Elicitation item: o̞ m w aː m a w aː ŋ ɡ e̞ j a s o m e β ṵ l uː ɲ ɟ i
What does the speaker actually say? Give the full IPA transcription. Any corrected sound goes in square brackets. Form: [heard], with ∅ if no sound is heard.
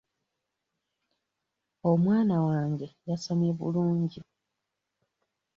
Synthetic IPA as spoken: o̞ m w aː [n] a w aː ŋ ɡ e̞ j a s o m e β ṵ l uː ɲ ɟ i